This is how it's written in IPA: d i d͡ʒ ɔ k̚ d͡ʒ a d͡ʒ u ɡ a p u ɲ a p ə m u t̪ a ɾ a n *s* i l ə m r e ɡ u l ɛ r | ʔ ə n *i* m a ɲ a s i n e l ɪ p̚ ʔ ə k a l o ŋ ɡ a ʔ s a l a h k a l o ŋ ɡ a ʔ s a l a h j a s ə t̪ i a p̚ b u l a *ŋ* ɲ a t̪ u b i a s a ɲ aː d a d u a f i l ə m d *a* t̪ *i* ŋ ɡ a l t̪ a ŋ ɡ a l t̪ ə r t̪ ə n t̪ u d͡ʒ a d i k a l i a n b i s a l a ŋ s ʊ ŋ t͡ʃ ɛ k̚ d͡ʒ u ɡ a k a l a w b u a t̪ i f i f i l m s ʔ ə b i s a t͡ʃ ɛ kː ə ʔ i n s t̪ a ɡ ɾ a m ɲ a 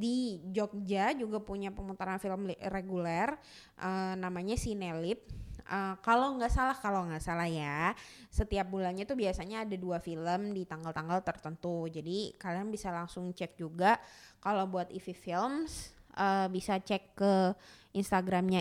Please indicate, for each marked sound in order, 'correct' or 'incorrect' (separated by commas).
incorrect, incorrect, incorrect, incorrect, incorrect